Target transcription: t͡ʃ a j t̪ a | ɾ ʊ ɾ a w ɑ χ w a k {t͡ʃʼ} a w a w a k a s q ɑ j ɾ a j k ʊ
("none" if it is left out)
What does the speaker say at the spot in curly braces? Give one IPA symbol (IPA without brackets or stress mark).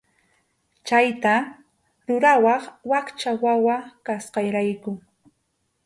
t͡ʃ